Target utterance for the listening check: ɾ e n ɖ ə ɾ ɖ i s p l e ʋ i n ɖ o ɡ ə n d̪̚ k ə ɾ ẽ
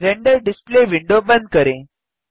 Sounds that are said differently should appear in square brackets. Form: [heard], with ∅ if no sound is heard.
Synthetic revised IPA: ɾ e [ɳ] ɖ ə ɾ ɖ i s p l e ʋ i [ɳ] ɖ o [b] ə n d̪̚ k ə ɾ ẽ